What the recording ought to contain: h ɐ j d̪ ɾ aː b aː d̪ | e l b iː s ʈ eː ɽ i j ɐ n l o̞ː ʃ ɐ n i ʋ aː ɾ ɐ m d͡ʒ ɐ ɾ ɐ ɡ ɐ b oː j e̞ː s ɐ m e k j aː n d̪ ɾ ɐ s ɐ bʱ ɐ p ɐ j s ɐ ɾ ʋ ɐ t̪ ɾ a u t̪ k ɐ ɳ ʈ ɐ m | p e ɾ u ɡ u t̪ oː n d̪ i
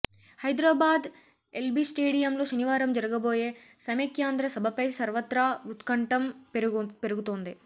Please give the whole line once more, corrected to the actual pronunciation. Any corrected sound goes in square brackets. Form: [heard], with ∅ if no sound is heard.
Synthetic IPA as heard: h ɐ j d̪ ɾ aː b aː d̪ | e l b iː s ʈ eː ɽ i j ɐ [m] l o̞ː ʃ ɐ n i ʋ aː ɾ ɐ m d͡ʒ ɐ ɾ ɐ ɡ ɐ b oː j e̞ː s ɐ m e k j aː n d̪ ɾ ɐ s ɐ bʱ ɐ p ɐ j s ɐ ɾ ʋ ɐ t̪ ɾ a u t̪ k ɐ ɳ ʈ ɐ m | p e ɾ u ɡ u t̪ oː n d̪ i